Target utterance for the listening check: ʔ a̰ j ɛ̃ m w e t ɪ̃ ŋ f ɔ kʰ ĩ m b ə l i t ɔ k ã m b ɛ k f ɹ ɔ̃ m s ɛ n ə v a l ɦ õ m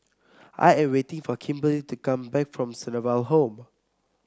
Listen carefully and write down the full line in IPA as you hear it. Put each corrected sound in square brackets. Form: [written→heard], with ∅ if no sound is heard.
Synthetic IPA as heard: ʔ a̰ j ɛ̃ m w e t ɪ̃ ŋ f ɔ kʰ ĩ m b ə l i t [ɔ→u] k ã m b ɛ k f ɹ ɔ̃ m s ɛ n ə v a l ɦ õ m